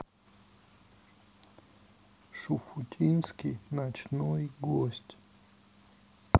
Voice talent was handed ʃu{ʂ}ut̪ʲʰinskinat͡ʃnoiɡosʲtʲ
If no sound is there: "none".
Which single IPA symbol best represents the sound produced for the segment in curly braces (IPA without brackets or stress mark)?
f